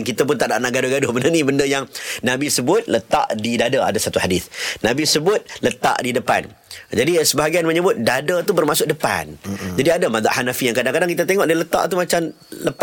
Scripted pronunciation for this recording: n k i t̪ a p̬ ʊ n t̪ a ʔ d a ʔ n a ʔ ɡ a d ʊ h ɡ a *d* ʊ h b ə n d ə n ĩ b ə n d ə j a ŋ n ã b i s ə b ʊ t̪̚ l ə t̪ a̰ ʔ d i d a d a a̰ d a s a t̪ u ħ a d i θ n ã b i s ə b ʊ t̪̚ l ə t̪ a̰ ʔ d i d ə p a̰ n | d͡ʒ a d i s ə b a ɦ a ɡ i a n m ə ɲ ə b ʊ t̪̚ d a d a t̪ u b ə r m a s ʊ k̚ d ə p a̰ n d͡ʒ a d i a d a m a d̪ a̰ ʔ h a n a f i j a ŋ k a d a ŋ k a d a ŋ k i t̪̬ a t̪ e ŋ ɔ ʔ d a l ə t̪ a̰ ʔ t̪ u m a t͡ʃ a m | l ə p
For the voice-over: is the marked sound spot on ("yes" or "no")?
yes